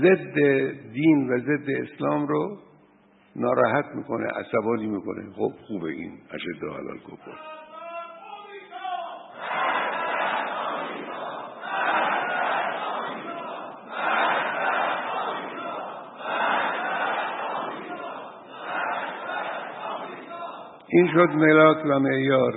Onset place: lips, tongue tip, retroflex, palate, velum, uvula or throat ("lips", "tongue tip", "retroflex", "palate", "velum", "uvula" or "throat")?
tongue tip